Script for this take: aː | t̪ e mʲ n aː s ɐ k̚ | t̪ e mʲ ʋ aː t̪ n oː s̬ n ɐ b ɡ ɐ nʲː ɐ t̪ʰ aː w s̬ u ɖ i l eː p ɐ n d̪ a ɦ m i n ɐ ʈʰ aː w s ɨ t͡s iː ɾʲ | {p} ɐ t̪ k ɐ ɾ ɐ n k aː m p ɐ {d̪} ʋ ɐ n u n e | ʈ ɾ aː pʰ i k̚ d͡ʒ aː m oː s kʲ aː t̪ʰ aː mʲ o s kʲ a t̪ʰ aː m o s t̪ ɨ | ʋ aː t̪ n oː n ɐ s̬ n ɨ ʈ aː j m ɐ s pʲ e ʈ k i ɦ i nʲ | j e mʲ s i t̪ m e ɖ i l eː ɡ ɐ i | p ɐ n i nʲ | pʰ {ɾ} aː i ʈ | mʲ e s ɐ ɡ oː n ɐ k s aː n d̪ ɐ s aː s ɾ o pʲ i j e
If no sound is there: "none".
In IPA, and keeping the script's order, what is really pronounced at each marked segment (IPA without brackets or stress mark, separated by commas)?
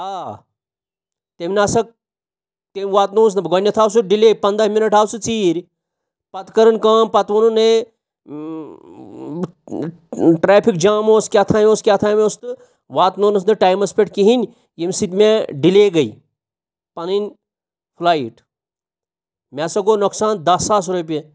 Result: p, t̪, l